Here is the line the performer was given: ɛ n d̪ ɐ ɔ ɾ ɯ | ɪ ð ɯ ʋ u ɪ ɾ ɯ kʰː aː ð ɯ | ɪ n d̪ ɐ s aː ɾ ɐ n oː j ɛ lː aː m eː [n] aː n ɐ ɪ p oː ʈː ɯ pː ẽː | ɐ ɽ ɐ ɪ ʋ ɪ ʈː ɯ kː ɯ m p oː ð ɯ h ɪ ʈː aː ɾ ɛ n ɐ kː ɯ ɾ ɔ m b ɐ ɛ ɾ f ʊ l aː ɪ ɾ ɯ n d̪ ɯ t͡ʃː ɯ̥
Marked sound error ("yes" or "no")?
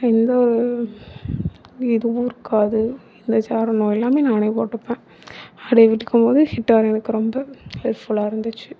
no